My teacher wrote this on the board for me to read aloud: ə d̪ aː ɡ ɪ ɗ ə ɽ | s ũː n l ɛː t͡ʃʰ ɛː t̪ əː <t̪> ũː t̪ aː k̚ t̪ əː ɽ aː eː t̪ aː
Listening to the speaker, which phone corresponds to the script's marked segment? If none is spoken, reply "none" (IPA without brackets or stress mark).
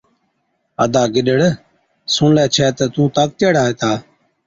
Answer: t̪